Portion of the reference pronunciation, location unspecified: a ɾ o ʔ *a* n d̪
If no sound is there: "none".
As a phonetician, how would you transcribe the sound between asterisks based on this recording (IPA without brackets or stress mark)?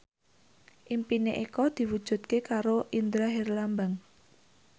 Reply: i